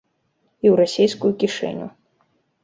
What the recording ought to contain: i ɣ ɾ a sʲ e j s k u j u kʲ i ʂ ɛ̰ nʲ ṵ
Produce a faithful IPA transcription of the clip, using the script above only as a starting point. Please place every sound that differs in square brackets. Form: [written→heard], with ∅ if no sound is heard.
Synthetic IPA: i [ɣ→w] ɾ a sʲ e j s k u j u kʲ i ʂ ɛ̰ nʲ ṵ